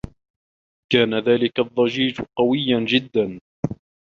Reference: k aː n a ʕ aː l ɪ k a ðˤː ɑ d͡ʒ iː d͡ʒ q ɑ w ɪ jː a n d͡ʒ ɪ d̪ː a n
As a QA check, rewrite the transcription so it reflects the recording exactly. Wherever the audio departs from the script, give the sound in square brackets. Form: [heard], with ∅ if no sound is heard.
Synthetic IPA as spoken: k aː n a [ð] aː l ɪ k a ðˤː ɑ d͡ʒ iː d͡ʒ q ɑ w ɪ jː a n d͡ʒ ɪ d̪ː a n